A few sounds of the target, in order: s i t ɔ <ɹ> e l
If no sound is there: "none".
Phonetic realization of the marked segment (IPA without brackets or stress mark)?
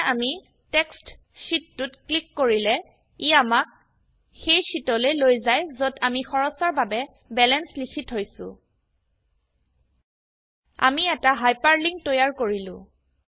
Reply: l